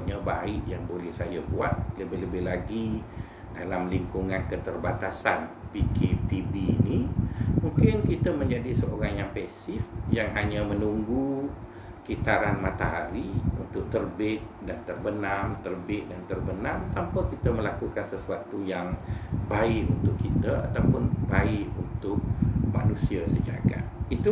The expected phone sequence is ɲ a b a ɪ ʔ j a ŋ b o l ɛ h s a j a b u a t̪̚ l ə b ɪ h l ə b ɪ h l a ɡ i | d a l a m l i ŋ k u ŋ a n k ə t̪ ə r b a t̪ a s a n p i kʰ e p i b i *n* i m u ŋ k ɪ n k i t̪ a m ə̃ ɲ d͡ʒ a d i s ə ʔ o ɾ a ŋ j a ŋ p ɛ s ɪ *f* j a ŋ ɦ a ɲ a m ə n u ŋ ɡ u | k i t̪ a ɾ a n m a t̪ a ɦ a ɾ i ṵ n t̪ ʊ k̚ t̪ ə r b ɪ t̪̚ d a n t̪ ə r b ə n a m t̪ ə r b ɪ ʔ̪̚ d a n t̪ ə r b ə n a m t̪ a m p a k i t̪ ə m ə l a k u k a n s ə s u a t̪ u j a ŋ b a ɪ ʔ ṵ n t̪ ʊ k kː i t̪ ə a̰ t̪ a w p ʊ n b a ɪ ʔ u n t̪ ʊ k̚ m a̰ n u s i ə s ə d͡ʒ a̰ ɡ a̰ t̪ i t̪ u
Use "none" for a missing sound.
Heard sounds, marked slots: n, f

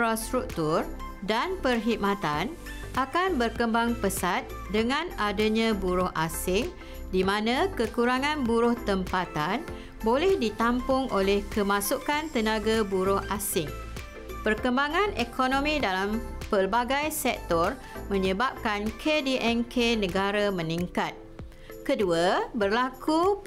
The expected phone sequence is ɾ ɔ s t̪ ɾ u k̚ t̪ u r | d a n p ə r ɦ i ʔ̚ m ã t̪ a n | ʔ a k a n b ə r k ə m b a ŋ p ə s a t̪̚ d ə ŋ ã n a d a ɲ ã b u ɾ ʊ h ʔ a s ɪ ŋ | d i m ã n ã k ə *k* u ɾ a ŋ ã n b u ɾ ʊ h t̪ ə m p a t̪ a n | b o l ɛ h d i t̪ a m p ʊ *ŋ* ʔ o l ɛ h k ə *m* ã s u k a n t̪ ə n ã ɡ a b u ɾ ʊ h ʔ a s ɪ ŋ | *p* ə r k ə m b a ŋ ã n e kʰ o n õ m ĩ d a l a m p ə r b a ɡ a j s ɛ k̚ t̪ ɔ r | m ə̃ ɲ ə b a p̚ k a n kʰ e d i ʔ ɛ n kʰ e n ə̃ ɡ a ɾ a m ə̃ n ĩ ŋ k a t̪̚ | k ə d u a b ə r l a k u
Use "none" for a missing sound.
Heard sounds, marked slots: k, ŋ, m, p

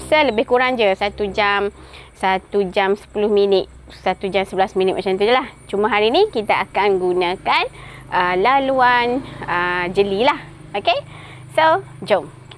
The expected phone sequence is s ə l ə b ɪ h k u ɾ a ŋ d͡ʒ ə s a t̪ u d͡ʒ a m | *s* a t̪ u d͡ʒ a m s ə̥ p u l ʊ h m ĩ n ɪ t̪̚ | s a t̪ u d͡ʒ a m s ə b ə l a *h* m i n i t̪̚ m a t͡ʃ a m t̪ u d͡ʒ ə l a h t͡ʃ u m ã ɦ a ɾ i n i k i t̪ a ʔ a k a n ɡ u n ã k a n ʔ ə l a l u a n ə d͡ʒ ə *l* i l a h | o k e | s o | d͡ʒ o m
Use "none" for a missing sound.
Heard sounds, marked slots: s, s, l

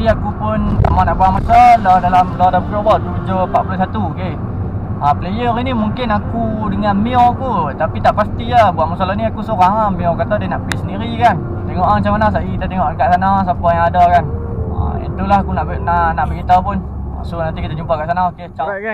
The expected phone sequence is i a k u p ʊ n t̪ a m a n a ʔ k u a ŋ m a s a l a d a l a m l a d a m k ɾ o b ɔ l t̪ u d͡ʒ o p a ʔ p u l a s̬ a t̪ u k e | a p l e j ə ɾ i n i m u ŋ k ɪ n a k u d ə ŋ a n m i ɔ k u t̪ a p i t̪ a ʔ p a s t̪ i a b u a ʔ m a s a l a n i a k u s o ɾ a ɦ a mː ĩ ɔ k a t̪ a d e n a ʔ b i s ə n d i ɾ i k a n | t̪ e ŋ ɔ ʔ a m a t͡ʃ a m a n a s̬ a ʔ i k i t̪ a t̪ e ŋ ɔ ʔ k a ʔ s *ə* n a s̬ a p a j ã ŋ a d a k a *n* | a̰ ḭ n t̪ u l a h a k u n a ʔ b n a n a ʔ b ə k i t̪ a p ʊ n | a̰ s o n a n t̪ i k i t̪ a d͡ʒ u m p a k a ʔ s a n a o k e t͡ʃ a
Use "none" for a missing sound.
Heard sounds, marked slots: a, n

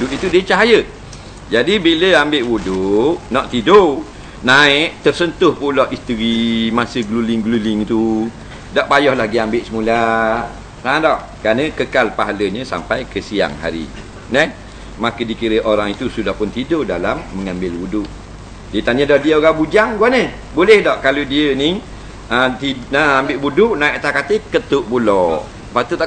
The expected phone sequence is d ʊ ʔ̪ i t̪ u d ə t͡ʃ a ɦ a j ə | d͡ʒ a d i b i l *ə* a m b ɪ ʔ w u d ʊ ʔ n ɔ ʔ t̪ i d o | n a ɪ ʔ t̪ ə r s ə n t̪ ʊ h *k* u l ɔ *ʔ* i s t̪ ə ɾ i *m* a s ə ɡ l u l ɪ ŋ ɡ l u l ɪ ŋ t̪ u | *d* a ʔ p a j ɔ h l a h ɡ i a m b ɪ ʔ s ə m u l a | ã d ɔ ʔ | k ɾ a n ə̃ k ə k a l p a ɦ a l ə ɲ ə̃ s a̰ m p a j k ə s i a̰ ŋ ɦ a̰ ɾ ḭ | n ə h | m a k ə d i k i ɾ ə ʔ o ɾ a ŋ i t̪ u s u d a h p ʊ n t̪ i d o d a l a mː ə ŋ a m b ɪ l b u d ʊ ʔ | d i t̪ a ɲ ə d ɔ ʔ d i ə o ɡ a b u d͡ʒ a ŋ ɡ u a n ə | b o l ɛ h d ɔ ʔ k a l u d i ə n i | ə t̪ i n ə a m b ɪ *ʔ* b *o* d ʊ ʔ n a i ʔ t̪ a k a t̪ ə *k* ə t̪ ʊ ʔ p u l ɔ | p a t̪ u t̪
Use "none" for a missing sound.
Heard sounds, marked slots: ə, p, ʔ, m, d, ʔ, u, k

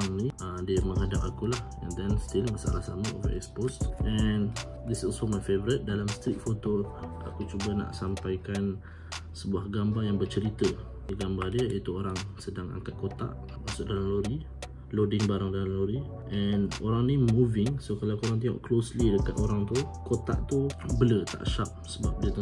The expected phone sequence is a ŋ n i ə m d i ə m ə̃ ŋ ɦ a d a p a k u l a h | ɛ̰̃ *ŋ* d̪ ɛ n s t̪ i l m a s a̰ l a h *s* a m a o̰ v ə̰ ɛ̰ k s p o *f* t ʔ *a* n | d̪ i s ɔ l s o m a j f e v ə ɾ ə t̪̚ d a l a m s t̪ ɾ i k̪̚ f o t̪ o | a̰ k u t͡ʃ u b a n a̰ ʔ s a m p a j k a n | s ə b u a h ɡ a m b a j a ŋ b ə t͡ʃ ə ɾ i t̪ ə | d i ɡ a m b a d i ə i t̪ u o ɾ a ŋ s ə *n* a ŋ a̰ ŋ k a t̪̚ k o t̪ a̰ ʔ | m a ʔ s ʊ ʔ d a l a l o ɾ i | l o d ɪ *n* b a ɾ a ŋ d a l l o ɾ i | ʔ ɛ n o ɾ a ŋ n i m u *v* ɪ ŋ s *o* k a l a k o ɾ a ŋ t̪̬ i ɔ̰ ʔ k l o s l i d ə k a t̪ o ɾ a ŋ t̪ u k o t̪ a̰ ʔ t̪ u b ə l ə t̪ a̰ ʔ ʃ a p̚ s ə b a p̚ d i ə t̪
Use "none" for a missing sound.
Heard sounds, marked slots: n, s, s, ɛ, d, ŋ, v, o

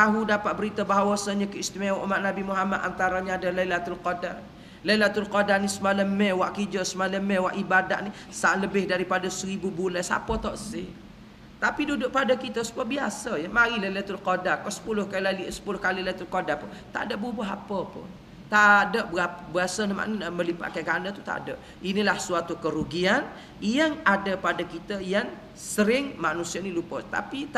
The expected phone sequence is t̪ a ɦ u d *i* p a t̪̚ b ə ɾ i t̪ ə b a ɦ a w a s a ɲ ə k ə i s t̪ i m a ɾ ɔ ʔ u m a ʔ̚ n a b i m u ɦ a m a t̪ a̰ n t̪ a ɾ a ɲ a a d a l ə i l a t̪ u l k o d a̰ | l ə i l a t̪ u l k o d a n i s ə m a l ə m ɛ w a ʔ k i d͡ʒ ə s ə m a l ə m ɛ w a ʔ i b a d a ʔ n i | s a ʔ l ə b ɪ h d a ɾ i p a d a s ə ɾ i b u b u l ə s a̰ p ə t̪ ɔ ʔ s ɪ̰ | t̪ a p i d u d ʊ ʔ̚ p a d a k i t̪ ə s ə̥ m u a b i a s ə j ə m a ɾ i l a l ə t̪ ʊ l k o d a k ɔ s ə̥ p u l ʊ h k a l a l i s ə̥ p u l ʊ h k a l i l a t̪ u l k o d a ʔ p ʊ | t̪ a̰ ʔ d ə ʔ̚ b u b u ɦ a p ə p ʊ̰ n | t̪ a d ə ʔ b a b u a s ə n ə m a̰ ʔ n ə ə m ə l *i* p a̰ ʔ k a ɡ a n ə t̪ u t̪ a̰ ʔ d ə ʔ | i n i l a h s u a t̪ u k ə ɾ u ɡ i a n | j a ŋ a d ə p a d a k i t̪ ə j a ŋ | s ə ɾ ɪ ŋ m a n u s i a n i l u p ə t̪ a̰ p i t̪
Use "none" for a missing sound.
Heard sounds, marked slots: a, i

